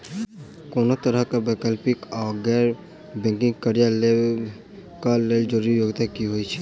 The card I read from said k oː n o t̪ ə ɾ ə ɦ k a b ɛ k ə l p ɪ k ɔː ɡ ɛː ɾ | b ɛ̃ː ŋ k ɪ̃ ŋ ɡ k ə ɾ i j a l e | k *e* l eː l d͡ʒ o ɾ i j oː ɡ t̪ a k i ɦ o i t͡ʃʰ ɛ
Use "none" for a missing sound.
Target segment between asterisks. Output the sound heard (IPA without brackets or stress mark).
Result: a